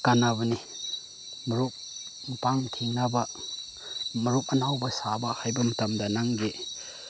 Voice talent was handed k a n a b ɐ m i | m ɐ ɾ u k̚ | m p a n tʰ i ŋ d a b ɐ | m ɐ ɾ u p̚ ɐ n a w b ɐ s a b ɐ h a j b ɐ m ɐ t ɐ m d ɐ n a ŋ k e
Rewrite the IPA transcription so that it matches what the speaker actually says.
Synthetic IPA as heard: k a n a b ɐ n i | m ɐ ɾ u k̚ | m p a ŋ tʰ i ŋ n a b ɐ | m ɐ ɾ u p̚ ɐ n a w b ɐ s a b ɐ h a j b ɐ m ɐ t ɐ m d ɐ n a ŋ ɡ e